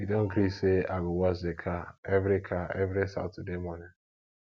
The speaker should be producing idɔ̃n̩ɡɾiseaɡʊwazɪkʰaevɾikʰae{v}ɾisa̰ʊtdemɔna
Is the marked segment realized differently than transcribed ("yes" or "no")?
no